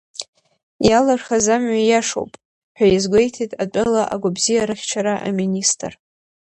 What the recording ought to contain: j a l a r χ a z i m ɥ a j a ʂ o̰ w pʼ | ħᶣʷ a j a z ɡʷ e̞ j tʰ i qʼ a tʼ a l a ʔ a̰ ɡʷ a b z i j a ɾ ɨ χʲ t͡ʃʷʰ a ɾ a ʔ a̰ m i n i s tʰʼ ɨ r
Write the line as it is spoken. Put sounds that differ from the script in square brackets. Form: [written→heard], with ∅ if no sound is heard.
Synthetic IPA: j a l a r χ a z [i→a] m ɥ a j a ʂ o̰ w pʼ | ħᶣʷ a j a z ɡʷ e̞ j tʰ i [qʼ→tʼ] a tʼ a l a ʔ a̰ ɡʷ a b z i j a ɾ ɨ χʲ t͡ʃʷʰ a ɾ a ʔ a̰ m i n i s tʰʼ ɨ r

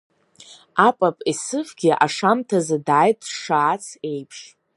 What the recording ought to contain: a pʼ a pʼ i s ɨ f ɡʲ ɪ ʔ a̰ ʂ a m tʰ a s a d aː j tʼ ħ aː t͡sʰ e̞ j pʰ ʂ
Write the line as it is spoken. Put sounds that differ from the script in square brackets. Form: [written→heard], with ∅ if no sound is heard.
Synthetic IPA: a pʼ a pʼ i s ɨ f ɡʲ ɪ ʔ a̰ ʂ a m tʰ a [s→z] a d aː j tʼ [ħ→ʂ] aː t͡sʰ e̞ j pʰ ʂ

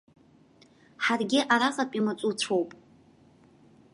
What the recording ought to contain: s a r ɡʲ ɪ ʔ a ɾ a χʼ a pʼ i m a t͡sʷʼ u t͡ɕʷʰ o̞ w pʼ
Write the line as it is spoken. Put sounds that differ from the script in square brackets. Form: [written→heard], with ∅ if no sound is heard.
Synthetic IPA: [s→ħ] a r ɡʲ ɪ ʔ a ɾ a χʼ a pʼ i m a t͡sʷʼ u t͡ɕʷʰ o̞ w pʼ

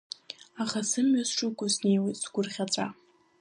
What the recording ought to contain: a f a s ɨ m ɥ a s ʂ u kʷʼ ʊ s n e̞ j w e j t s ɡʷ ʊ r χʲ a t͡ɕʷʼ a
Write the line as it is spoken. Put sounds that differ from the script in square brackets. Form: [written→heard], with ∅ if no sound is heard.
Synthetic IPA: a [f→χ] a s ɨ m ɥ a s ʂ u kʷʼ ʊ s n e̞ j w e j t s ɡʷ ʊ r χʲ a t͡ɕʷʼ a

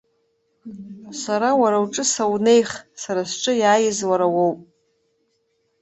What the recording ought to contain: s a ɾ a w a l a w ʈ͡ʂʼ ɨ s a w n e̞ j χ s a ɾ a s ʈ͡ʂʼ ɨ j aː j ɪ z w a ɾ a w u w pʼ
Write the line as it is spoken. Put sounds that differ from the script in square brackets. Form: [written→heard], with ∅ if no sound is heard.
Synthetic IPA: s a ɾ a w a [l→ɾ] a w ʈ͡ʂʼ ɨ s a w n e̞ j χ s a ɾ a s ʈ͡ʂʼ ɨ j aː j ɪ z w a ɾ a w [u→o] w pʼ

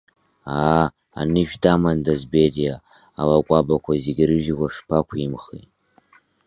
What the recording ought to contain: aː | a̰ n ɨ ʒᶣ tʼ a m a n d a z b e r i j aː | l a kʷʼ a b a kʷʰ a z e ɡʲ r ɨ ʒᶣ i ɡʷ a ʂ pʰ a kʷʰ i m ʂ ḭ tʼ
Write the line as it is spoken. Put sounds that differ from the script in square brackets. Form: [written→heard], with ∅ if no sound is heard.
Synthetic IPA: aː | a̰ n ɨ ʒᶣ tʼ a m a n d a z b e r i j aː | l a kʷʼ a b a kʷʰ a z e ɡʲ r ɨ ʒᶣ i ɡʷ a ʂ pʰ a kʷʰ i m [ʂ→χ] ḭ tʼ

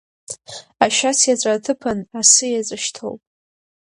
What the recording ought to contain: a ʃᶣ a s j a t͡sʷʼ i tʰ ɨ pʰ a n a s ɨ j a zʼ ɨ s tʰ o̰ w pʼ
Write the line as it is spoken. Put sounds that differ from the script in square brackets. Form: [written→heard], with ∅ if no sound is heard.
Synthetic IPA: a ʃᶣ a s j a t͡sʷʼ [i→a] tʰ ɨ pʰ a n a s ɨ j a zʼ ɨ [s→ʃ] tʰ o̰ w pʼ

